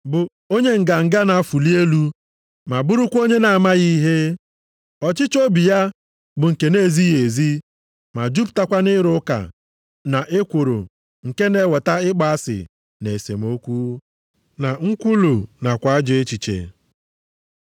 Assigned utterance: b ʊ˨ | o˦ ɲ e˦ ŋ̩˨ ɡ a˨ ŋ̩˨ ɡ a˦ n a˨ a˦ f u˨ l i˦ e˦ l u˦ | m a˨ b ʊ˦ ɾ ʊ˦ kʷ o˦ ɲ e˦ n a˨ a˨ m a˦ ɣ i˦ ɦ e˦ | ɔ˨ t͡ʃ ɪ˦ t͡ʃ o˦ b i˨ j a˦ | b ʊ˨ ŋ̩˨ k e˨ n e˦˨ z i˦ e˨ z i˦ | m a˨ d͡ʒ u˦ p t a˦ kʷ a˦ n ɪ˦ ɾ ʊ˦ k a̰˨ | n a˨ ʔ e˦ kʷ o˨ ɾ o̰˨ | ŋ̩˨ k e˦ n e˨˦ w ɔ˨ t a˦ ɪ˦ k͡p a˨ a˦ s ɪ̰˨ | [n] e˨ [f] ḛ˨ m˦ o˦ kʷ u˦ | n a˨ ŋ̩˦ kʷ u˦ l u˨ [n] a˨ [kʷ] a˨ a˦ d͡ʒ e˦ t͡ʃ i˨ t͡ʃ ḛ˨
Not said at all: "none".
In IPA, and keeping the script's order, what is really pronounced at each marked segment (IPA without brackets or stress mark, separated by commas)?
n, s, n, kʷ